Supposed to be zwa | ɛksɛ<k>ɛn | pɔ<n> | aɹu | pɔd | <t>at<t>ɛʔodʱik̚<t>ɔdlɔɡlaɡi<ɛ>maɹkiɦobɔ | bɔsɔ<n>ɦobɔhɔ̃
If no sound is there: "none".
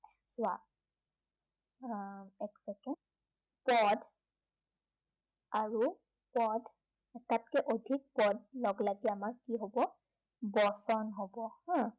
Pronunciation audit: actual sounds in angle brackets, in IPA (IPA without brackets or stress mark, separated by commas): k, d, t, k, p, a, n